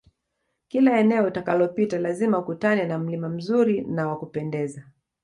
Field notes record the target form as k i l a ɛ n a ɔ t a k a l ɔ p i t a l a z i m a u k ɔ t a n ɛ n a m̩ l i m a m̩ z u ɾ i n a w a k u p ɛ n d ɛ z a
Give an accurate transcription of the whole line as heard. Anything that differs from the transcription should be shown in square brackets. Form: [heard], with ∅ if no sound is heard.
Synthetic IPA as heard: k i l a ɛ n [ɛ] ɔ t a k a l ɔ p i t a l a z i m a u k [u] t a n ɛ n a m̩ l i m a m̩ z u ɾ i n a w a k u p ɛ n d ɛ z a